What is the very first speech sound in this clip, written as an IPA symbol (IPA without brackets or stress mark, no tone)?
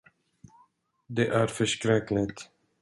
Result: d̪